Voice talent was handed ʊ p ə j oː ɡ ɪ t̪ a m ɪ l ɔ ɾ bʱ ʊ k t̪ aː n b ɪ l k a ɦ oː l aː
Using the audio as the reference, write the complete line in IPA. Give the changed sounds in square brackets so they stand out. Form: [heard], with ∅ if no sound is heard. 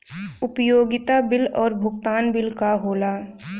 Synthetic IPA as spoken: ʊ p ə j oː ɡ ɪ t̪ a [b] ɪ l [ɔː] ɾ bʱ ʊ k t̪ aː n b ɪ l k a ɦ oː l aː

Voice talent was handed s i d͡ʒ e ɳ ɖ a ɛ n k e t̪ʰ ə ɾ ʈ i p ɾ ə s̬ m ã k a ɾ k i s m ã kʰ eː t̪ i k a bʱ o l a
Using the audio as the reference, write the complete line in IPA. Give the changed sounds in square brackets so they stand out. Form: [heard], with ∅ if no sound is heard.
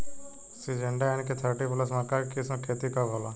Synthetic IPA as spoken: s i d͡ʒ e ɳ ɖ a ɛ n k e t̪ʰ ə ɾ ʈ i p [l] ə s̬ m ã k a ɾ k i s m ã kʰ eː t̪ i k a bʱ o l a

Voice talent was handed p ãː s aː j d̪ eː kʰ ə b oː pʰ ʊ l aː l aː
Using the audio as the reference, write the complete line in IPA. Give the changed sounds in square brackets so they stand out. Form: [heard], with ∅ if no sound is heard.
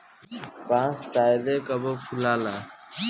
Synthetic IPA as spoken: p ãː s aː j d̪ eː [k] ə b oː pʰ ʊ l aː l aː

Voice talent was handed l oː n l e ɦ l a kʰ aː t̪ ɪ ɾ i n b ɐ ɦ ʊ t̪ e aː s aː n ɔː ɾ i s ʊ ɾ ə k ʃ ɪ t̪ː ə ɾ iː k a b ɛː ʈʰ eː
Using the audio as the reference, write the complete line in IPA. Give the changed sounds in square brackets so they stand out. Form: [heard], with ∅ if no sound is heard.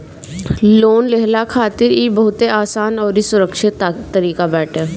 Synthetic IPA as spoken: l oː n l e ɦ l a kʰ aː t̪ ɪ ɾ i [∅] b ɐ ɦ ʊ t̪ e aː s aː n ɔː ɾ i s ʊ ɾ ə k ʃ ɪ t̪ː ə ɾ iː k a b ɛː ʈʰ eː

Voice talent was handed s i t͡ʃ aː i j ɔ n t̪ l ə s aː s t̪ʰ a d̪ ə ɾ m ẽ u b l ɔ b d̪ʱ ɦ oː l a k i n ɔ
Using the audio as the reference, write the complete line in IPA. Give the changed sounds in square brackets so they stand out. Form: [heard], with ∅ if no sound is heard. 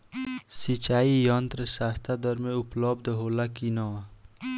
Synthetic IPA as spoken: s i t͡ʃ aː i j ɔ n t̪ [ɾ] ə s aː s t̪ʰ a d̪ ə ɾ m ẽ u [p] l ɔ b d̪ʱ ɦ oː l a k i n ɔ

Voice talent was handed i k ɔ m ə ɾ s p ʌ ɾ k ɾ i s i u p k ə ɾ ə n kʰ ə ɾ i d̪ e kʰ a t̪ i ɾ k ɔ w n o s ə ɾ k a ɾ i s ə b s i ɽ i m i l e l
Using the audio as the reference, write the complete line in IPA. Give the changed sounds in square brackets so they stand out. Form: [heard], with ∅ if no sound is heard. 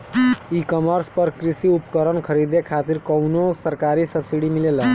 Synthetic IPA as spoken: i k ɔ m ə ɾ s p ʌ ɾ k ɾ i s i u p k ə ɾ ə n kʰ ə ɾ i d̪ e kʰ a t̪ i ɾ k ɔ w n o s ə ɾ k a ɾ i s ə b s i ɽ i m i l e l

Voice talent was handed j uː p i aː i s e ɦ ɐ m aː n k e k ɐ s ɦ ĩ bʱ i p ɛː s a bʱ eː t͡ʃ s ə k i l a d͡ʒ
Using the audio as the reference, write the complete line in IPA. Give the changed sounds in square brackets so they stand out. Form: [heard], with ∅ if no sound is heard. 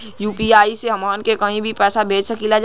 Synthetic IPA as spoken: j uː p i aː i s e ɦ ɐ m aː n k e k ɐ [∅] ɦ ĩ bʱ i p ɛː s a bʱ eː t͡ʃ s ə k i l a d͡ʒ

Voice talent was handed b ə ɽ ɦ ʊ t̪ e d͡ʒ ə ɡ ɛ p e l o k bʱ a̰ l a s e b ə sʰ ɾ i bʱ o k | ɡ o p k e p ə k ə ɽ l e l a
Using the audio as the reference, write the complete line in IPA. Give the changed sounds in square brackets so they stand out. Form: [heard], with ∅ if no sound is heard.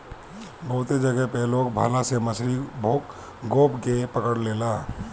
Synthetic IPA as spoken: b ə [∅] ɦ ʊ t̪ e d͡ʒ ə ɡ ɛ p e l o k bʱ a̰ l a s e [m] ə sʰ ɾ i bʱ o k | ɡ o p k e p ə k ə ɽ l e l a

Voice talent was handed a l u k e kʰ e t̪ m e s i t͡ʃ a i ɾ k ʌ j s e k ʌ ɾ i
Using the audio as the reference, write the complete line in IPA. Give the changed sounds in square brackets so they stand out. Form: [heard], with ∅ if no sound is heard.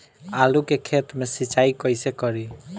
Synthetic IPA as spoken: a l u k e kʰ e t̪ m e s i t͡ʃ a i [∅] k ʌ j s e k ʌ ɾ i

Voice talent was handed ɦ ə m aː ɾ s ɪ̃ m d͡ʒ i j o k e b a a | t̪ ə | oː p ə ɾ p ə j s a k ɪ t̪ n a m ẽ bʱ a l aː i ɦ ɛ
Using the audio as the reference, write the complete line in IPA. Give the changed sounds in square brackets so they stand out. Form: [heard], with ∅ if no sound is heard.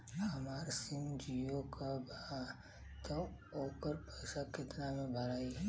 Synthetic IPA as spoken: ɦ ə m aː ɾ s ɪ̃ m d͡ʒ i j o k [a] b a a | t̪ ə | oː p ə ɾ p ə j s a k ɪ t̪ n a m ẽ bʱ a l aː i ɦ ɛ

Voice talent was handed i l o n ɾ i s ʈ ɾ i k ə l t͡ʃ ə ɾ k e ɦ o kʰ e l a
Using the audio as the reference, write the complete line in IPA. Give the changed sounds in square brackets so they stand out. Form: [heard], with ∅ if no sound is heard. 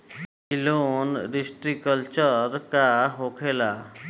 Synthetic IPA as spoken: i l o n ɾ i s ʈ ɾ i k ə l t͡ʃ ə ɾ k [a] ɦ o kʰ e l a

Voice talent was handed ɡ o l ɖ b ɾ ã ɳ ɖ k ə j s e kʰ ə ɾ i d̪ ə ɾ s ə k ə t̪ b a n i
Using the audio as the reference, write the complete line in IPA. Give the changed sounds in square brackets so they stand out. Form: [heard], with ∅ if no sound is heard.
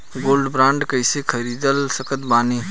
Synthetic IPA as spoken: ɡ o l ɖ b ɾ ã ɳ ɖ k ə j s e kʰ ə ɾ i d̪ ə [l] s ə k ə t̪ b a n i

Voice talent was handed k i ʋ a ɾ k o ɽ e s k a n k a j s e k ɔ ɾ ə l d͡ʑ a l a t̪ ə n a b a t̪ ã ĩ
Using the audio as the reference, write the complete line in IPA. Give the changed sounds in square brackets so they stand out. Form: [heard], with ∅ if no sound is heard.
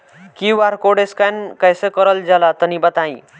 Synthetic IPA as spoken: k i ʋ a ɾ k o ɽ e s k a n k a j s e k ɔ ɾ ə l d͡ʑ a l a t̪ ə n [i] b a t̪ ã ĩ

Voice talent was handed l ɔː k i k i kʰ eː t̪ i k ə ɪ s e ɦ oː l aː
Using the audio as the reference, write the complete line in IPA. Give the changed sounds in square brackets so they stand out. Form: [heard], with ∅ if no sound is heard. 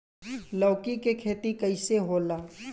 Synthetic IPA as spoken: l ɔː k i k [e] kʰ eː t̪ i k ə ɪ s e ɦ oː l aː

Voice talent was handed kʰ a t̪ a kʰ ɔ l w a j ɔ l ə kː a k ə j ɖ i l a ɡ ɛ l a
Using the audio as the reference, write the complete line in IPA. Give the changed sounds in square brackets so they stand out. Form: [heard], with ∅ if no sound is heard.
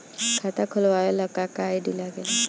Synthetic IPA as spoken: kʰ a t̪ a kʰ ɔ l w a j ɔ l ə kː a k [a] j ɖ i l a ɡ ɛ l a

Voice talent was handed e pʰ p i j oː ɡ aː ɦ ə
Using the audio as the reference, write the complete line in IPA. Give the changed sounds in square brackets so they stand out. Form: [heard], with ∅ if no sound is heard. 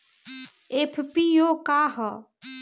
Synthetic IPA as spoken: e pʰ p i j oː [k] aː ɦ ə

